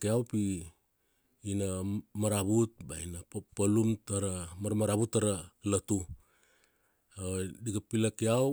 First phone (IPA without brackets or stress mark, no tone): k